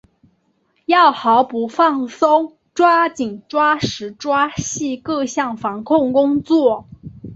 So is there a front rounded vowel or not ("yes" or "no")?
no